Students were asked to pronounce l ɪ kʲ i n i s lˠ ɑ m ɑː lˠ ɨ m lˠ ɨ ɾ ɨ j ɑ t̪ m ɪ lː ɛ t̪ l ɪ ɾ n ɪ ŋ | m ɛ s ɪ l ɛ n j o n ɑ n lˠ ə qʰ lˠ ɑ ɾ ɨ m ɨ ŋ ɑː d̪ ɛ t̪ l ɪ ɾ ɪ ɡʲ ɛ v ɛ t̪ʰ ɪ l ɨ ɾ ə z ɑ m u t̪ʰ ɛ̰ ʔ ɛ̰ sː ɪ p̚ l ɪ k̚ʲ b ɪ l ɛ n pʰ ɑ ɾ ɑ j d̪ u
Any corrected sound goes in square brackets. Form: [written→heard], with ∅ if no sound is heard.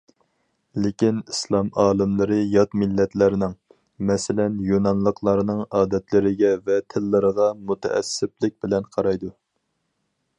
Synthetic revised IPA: l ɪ kʲ i n i s lˠ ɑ m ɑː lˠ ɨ m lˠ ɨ ɾ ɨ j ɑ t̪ m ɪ lː ɛ t̪ l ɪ ɾ n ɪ ŋ | m ɛ s ɪ l ɛ n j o n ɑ n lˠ ə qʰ lˠ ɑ ɾ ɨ [m→n] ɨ ŋ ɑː d̪ ɛ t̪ l ɪ ɾ ɪ ɡʲ ɛ v ɛ t̪ʰ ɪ [l→lː] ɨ ɾ ə [z→ʁ] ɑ m u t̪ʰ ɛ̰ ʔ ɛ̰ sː ɪ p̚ l ɪ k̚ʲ b ɪ l ɛ n [pʰ→qʰ] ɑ ɾ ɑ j d̪ u